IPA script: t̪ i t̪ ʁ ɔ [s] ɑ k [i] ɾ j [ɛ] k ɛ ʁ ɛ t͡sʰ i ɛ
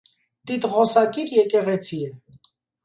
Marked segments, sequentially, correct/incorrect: correct, correct, correct

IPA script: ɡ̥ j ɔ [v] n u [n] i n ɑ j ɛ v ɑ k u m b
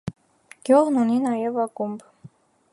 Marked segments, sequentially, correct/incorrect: incorrect, correct

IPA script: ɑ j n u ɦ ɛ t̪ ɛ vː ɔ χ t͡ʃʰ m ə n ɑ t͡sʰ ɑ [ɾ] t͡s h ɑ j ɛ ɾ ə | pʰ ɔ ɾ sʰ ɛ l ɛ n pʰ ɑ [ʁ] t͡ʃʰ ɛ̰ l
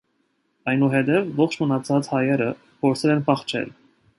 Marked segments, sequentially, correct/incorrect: incorrect, incorrect

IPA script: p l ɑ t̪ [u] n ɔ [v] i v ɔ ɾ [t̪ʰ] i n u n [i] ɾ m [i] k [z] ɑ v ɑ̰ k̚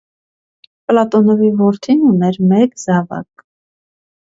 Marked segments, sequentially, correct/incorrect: incorrect, correct, correct, incorrect, incorrect, correct

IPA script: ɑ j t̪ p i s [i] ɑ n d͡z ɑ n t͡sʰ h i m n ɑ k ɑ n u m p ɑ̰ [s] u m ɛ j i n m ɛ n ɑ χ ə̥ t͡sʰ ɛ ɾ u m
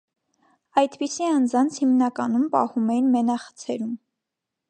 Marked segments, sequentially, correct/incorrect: correct, incorrect

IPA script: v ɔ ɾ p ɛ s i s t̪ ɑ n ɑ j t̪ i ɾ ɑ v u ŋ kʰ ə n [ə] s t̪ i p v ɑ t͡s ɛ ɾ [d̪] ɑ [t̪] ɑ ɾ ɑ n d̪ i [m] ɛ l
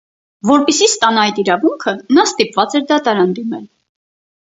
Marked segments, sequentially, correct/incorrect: incorrect, correct, correct, correct

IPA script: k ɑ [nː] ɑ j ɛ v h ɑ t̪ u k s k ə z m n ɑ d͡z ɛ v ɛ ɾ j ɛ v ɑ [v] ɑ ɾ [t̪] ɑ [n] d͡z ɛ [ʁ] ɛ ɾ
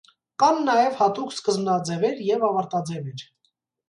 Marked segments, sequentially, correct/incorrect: correct, correct, correct, incorrect, incorrect

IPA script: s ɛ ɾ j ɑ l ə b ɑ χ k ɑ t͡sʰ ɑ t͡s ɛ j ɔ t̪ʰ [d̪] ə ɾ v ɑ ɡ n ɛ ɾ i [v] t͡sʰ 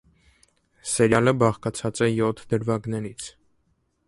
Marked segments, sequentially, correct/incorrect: correct, incorrect

